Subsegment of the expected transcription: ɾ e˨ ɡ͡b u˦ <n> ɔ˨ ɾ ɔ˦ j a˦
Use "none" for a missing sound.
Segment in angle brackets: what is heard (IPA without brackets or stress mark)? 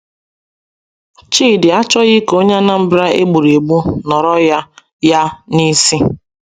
n